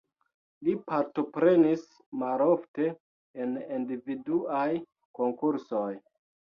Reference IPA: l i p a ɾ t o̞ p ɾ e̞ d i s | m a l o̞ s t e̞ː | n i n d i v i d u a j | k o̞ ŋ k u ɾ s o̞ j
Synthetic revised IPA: l i p a ɾ t o̞ p ɾ e̞ n i s | m a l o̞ f t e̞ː | n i n d i v i d u a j | k o̞ ŋ k u ɾ s o̞ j